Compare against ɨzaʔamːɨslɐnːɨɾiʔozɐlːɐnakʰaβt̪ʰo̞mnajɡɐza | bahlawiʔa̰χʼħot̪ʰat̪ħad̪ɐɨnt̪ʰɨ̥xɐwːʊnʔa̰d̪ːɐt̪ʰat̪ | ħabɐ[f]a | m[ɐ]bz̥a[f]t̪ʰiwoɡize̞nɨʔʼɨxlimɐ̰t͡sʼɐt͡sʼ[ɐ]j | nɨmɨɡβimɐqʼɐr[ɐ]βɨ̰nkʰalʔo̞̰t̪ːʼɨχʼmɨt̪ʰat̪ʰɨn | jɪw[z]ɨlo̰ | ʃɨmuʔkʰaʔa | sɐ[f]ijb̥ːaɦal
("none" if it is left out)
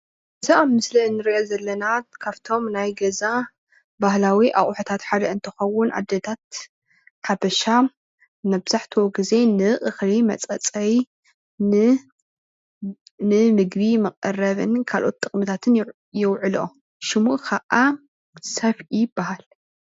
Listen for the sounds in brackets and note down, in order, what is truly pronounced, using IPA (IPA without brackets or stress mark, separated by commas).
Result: ʃ, ɐ, ħ, ɐ, ɐ, ʕ, f